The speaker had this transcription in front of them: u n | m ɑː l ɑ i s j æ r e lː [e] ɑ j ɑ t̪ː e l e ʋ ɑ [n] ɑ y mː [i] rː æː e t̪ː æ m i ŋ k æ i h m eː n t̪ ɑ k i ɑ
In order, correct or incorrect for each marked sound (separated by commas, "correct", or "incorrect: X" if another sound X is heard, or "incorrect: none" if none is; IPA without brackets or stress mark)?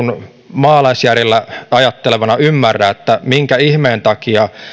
incorrect: æ, correct, incorrect: æ